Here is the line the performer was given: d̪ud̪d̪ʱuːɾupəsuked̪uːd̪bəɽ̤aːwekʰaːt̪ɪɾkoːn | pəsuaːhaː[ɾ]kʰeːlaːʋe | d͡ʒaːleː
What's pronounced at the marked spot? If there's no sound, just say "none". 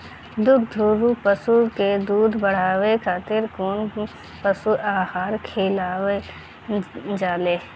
ɾ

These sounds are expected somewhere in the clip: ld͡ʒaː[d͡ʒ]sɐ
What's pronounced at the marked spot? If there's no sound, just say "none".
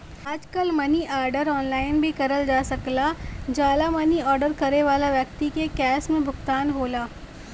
none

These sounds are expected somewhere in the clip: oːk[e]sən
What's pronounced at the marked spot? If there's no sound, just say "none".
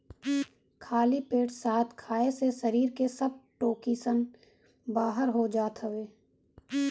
i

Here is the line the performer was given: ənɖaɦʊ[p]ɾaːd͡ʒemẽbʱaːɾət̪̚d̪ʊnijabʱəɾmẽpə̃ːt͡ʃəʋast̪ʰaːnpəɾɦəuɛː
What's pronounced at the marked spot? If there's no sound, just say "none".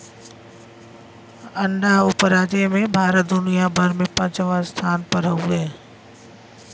p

